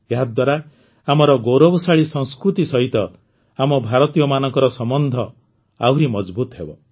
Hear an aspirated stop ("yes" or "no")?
no